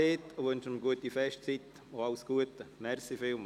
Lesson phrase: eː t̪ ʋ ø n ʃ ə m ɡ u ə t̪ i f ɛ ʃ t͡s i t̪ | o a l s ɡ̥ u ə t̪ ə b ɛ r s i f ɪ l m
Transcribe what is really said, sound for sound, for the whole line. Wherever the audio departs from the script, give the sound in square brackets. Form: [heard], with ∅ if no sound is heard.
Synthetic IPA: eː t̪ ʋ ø n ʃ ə m ɡ u ə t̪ i f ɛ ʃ t͡s i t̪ | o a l s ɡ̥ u ə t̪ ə [m] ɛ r s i f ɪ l m